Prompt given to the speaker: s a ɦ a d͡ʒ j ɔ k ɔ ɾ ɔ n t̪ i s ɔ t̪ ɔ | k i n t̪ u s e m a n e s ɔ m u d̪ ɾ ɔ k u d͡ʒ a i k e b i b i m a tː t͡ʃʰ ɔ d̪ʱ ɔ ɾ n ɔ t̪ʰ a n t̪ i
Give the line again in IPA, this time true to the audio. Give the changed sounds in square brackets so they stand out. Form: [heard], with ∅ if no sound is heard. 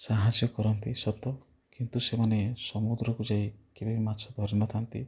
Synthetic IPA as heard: s a ɦ a d͡ʒ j ɔ k ɔ ɾ ɔ n t̪ i s ɔ t̪ ɔ | k i n t̪ u s e m a n e s ɔ m u d̪ ɾ ɔ k u d͡ʒ a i k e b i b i m a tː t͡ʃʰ ɔ d̪ʱ ɔ ɾ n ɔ t̪ʰ a n t̪ i